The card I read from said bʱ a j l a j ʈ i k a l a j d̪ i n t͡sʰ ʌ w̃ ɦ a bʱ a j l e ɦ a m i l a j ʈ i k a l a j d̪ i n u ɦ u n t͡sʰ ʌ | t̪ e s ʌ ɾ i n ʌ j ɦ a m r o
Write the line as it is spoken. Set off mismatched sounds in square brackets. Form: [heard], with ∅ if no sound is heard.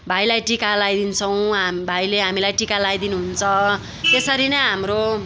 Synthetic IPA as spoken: bʱ a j l a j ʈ i k a l a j d̪ i n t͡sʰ ʌ w̃ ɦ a bʱ a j l e ɦ a m i l a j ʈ i k a l a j d̪ i n u ɦ u n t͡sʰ ʌ | t̪ e s ʌ ɾ i n ʌ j ɦ a m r o